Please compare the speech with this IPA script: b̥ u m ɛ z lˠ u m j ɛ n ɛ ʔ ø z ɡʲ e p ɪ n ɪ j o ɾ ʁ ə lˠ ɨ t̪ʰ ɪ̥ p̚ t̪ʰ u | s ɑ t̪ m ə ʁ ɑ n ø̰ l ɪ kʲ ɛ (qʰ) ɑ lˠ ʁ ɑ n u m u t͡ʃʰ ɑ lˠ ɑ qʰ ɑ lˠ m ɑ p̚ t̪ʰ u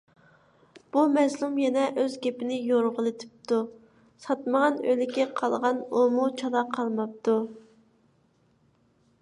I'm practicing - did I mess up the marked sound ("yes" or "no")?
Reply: no